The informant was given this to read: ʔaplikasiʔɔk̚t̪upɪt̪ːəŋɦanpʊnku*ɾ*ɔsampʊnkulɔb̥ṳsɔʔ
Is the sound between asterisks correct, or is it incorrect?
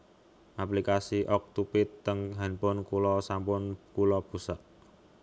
incorrect: l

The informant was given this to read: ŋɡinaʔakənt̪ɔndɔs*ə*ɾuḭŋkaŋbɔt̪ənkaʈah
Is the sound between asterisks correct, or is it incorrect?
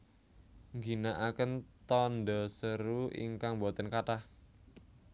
correct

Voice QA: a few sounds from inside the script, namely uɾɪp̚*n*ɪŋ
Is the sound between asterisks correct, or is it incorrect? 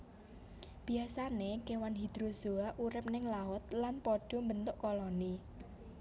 correct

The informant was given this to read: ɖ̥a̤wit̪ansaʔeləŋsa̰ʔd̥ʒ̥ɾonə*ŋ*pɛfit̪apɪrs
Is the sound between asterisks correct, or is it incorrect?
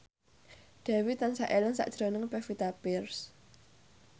correct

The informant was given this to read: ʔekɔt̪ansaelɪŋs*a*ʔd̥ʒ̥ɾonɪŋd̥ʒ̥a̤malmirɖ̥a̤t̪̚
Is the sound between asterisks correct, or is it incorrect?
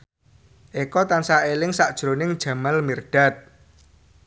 correct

